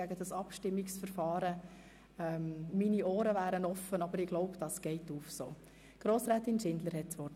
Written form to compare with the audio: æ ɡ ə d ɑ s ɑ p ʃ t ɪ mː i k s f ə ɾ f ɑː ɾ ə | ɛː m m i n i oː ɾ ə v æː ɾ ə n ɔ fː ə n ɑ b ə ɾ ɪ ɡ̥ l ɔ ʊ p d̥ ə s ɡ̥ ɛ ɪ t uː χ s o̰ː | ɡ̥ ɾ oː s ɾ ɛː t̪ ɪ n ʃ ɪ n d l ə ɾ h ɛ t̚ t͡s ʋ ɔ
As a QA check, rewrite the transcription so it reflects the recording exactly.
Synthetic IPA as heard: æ ɡ ə d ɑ s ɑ p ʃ t ɪ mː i k s f ə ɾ f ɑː ɾ ə | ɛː m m i n i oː ɾ ə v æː ɾ ə n ɔ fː ə n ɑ b ə ɾ ɪ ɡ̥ l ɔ ʊ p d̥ ɑ s ɡ̥ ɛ ɪ t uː f s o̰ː | ɡ̥ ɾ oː s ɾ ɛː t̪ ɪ n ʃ ɪ n d l ə ɾ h ɛ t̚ t͡s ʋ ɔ